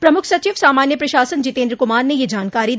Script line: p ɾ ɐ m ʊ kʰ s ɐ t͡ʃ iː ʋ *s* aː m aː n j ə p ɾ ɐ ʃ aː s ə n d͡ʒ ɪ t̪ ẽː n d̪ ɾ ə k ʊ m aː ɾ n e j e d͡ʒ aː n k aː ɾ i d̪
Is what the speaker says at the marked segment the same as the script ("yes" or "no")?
yes